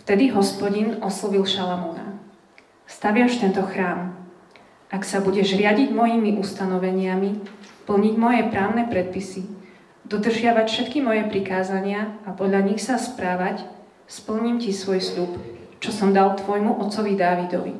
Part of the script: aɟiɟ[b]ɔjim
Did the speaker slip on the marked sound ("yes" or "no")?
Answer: yes